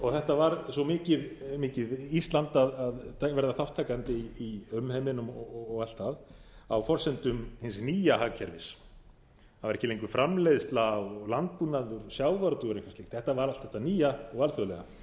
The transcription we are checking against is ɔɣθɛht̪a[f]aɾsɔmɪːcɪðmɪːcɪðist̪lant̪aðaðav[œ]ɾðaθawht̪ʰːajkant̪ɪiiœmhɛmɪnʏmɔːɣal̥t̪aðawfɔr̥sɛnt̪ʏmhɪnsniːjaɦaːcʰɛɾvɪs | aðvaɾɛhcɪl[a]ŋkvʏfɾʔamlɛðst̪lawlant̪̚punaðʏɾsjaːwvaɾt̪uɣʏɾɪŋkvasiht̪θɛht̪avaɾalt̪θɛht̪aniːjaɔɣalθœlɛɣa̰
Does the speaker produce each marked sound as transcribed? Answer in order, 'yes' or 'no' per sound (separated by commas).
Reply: no, no, no